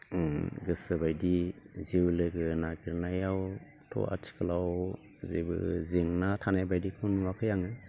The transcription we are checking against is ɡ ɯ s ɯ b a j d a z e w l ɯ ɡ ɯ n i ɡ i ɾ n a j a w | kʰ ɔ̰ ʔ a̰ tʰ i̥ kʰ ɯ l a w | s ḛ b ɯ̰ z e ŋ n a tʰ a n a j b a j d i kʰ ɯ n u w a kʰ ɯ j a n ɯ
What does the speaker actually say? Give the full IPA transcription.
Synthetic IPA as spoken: ɡ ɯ s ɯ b a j d i z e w l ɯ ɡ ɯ n a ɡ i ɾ n a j a w | tʰ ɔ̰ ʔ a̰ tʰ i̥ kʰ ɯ l a w | z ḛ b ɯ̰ z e ŋ n a tʰ a n a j b a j d i kʰ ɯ n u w a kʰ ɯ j a ŋ ɯ